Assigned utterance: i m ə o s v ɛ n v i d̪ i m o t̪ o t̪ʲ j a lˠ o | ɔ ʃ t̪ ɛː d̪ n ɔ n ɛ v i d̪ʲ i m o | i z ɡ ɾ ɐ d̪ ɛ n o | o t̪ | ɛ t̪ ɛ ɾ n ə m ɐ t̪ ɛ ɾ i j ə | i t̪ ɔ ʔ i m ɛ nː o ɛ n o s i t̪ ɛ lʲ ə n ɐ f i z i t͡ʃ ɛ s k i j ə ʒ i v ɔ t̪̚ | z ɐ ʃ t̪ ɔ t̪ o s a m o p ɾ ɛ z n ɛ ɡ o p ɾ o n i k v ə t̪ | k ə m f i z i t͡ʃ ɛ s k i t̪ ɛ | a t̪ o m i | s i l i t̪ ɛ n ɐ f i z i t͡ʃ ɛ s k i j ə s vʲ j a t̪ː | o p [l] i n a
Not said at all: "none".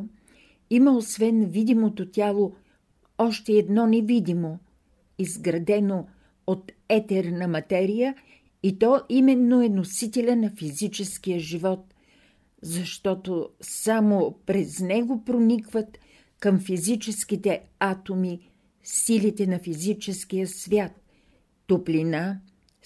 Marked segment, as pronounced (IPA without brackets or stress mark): l